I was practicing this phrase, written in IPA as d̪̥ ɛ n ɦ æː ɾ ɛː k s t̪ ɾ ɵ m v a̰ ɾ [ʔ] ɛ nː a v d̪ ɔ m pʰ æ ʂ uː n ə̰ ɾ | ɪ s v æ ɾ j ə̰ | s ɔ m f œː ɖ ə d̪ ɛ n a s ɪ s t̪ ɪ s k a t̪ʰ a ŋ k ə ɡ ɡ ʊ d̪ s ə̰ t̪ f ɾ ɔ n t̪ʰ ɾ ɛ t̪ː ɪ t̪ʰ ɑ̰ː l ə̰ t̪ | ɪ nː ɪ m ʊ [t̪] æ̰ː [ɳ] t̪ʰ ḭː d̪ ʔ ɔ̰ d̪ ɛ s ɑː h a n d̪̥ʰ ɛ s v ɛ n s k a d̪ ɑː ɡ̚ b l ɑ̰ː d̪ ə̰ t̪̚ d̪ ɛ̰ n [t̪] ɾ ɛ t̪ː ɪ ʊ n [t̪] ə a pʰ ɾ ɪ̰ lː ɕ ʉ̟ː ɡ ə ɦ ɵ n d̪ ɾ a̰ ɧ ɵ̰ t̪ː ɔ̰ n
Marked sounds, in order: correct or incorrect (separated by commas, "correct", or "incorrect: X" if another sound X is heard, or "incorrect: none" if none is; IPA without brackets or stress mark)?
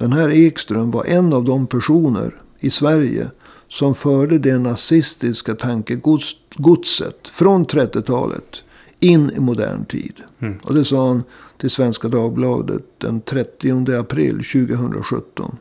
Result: correct, incorrect: d̪, correct, incorrect: t̪ʰ, incorrect: d̪